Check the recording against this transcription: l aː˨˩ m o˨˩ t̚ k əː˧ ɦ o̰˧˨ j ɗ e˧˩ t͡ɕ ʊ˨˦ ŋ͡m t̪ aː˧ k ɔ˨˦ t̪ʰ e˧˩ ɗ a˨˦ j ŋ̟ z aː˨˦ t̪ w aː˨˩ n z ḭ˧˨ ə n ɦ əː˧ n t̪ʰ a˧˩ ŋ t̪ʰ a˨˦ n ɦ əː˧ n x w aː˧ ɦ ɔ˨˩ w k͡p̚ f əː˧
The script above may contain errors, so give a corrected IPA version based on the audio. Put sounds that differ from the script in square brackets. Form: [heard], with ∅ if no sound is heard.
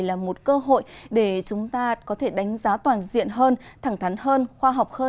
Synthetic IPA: l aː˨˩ m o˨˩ t̚ k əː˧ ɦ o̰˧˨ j ɗ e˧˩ t͡ɕ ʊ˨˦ ŋ͡m t̪ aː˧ k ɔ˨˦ t̪ʰ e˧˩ ɗ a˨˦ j ŋ̟ z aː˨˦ t̪ w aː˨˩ n z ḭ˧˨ ə n ɦ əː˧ n t̪ʰ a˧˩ ŋ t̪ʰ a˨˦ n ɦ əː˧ n x w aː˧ ɦ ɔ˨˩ w k͡p̚ [h] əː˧